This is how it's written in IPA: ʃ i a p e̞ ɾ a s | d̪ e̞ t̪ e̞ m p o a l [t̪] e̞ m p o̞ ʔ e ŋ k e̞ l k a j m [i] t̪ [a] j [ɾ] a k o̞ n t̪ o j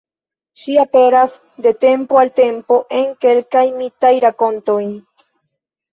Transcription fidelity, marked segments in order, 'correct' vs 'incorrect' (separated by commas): correct, correct, correct, correct